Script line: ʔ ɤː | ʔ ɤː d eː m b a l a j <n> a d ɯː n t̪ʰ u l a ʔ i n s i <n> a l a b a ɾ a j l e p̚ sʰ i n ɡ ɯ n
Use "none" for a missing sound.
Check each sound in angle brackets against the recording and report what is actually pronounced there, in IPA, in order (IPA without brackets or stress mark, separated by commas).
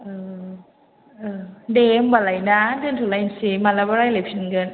n, m